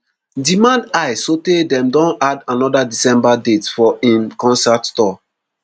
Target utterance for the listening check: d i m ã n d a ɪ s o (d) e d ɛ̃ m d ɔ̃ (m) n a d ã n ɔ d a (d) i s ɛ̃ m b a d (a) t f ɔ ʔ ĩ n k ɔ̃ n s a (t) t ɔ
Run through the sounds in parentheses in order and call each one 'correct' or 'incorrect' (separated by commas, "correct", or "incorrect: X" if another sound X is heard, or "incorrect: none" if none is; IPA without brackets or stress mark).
incorrect: t, incorrect: none, correct, incorrect: e, correct